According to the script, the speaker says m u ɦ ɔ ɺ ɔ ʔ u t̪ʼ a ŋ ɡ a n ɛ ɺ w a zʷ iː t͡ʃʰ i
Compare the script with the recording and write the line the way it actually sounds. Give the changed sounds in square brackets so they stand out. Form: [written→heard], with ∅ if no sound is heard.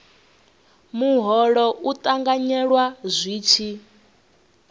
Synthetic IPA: m u ɦ ɔ ɺ ɔ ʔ u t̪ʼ a ŋ ɡ a [n→ɲ] ɛ ɺ w a zʷ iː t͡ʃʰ i